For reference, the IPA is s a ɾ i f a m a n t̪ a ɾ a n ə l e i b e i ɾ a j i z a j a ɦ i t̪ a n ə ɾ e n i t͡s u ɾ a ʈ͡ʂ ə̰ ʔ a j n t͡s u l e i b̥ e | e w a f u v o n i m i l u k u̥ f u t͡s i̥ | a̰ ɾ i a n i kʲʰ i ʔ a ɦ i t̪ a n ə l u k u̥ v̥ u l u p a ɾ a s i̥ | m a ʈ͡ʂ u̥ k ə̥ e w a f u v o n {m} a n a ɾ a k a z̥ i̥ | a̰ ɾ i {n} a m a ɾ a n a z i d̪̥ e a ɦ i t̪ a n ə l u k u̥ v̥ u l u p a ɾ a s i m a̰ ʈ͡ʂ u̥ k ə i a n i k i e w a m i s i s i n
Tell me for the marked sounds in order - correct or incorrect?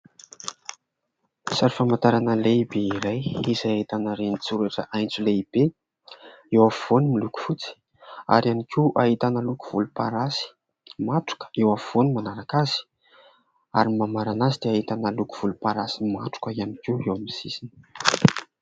correct, incorrect

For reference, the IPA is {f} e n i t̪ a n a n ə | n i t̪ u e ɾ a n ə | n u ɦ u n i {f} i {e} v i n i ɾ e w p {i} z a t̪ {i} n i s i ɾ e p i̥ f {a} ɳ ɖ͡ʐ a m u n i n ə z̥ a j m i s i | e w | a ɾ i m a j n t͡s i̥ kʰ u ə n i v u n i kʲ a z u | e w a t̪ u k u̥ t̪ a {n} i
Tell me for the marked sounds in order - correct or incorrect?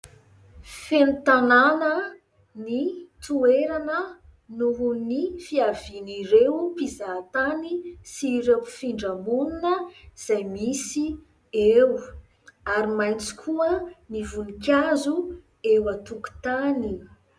correct, correct, incorrect, correct, incorrect, incorrect, correct

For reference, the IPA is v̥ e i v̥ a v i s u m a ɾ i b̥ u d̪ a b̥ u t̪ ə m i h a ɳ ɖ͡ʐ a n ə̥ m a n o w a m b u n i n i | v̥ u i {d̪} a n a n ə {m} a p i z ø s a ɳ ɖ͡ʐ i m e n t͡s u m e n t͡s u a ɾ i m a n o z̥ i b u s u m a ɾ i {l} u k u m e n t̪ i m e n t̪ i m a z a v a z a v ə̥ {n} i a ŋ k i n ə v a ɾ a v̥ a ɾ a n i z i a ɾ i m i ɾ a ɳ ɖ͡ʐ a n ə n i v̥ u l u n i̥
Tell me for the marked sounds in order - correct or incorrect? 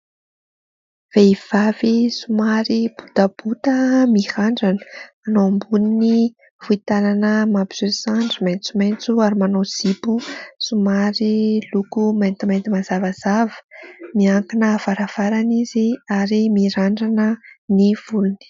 incorrect, correct, correct, incorrect

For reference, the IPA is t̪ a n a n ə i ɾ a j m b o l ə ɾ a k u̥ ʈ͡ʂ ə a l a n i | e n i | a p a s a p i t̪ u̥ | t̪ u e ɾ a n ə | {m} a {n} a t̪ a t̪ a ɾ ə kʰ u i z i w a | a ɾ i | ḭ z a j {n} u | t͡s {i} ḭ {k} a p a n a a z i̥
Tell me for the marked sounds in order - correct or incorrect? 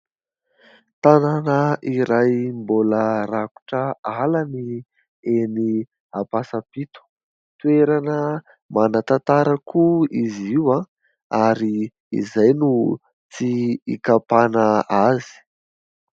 correct, correct, correct, correct, correct

